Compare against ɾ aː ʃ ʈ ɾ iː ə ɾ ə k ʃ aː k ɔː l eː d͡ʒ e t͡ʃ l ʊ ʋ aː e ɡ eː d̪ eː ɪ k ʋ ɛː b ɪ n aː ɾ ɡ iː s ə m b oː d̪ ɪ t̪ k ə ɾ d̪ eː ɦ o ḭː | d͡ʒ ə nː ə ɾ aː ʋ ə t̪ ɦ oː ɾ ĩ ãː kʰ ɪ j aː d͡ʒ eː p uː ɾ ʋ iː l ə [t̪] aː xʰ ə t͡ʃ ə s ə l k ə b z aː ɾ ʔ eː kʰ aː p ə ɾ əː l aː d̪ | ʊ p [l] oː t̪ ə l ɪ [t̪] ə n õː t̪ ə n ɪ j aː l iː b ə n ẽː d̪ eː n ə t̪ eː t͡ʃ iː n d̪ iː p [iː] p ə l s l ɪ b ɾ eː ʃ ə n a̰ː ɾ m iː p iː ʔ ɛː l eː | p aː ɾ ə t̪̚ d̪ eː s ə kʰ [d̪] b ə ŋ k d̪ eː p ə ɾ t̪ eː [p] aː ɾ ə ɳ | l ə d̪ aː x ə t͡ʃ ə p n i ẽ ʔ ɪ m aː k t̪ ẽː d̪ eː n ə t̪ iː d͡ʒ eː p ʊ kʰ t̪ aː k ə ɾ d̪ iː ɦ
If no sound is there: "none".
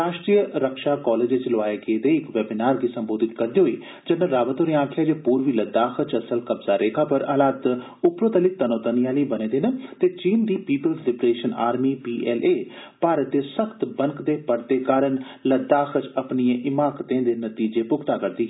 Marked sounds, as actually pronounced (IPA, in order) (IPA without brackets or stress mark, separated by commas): d̪, ɾ, t̪, iː, t̪, k